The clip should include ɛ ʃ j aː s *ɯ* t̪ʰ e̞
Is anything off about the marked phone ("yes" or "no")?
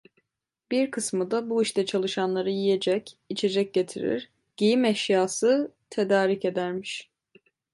no